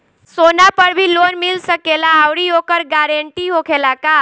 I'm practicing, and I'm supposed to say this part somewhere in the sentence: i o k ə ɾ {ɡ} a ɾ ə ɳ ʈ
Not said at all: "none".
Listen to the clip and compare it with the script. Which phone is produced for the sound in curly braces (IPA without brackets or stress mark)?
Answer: ɡ